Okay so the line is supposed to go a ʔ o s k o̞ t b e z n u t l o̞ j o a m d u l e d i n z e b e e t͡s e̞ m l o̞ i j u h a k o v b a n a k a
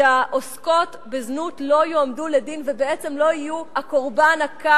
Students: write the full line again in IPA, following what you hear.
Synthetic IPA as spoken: a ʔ o s k o̞ t b e z n u t l o̞ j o a m d u l e d i n v e b e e t͡s e̞ m l o̞ i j u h a k o ʁ b a n a k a